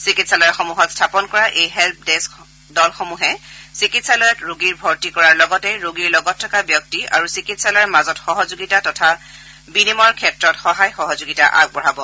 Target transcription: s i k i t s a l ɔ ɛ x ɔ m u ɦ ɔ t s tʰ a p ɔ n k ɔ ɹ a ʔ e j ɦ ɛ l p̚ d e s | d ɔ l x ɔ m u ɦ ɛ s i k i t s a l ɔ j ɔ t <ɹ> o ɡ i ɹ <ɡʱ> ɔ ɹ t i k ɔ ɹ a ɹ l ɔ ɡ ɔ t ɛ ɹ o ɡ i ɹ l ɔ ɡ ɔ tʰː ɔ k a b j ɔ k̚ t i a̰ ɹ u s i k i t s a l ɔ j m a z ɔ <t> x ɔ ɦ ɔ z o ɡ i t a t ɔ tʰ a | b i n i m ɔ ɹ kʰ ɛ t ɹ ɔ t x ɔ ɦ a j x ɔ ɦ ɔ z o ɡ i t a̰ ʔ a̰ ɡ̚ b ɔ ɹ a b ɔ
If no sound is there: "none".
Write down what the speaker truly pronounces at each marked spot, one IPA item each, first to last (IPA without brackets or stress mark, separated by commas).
ɹ, bʱ, t